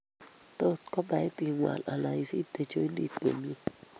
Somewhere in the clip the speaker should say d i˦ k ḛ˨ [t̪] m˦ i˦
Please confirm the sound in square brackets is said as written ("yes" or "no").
no